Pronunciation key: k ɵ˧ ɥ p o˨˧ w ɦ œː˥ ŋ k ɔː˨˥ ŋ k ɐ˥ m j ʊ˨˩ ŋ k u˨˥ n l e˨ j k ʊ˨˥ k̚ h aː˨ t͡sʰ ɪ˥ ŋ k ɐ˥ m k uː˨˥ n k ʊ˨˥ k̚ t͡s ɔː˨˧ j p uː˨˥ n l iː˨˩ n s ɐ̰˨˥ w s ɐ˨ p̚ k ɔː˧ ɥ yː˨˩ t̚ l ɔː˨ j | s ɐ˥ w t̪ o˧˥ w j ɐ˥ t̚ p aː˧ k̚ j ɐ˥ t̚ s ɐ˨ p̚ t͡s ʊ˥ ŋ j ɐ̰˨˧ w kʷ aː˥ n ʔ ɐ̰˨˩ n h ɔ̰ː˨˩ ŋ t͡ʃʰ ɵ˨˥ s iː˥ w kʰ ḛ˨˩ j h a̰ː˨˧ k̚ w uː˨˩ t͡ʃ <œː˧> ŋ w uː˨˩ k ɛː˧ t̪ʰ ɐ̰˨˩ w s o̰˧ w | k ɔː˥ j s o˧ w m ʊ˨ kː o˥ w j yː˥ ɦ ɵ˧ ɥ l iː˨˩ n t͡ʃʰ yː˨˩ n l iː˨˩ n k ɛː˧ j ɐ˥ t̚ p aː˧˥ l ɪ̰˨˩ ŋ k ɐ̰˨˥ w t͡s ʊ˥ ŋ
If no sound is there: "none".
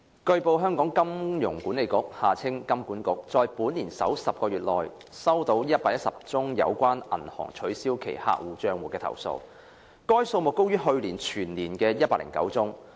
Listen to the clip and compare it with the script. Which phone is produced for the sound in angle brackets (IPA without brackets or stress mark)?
œː˧